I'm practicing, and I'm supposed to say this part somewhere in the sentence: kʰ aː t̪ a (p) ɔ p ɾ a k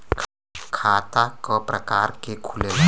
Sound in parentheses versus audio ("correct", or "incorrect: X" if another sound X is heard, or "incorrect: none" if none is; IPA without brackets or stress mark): incorrect: k